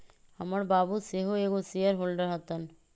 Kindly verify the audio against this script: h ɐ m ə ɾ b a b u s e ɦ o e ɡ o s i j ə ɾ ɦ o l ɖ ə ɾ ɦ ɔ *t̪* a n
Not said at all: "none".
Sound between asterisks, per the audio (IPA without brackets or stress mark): t̪